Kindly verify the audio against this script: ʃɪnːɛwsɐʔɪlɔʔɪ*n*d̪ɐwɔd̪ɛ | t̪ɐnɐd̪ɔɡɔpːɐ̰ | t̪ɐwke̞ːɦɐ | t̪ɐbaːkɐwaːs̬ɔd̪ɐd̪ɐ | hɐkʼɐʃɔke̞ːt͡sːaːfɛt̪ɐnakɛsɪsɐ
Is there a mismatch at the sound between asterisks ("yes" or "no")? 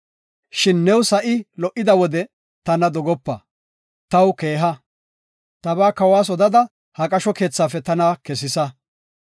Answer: yes